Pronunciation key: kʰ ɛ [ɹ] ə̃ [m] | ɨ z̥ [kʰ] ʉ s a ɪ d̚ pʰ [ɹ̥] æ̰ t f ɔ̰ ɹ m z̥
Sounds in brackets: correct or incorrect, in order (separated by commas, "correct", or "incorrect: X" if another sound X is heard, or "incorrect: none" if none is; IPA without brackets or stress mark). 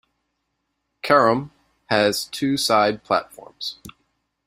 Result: correct, correct, incorrect: tʰ, incorrect: l̥